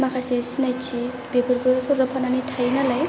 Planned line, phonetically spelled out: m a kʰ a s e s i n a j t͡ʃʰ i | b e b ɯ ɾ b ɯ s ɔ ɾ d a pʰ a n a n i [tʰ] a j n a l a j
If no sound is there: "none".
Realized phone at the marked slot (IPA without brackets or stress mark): tʰ